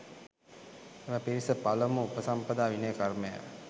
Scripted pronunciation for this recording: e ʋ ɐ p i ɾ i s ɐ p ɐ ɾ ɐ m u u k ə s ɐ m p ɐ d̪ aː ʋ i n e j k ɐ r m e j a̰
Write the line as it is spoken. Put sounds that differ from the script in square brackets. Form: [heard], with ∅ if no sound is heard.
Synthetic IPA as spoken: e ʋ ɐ p i ɾ i s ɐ p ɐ [l] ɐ m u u [p] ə s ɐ m p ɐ d̪ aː ʋ i n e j k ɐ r m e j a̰